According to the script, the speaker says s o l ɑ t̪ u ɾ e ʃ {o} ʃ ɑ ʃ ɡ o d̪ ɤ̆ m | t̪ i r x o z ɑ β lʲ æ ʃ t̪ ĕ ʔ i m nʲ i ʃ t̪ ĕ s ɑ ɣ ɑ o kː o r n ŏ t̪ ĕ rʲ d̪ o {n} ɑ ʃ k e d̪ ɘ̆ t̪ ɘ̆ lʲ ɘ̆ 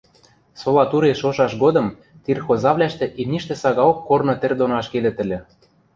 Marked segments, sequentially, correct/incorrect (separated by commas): correct, correct